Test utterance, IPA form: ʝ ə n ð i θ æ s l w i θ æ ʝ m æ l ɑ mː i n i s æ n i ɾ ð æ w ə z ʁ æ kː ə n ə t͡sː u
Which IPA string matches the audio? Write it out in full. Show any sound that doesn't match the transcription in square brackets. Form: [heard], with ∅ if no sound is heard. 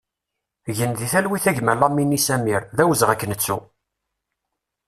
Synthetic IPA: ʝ ə n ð i θ æ [∅] l w i θ æ ʝ m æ l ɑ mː i n i s æ [m] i ɾ ð æ w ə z ʁ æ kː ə n ə t͡sː u